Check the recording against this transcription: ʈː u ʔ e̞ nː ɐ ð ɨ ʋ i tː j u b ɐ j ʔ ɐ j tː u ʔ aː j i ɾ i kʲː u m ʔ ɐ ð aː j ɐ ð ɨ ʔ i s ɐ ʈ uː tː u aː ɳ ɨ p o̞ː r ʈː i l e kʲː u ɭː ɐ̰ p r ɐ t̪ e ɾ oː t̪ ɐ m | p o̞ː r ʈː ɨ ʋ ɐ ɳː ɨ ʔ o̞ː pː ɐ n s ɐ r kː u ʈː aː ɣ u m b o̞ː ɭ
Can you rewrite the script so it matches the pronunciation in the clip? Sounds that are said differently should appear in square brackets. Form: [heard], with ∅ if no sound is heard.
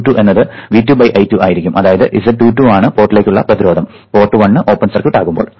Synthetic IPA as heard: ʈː u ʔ e̞ nː ɐ ð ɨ ʋ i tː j u b ɐ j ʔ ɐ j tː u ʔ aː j i ɾ i kʲː u m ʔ ɐ ð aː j ɐ ð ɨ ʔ i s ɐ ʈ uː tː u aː ɳ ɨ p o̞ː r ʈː i l e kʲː u ɭː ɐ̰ p r ɐ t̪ [i] ɾ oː [d̪] ɐ m | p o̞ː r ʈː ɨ ʋ ɐ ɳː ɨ ʔ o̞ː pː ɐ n s ɐ r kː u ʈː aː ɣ u m b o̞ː ɭ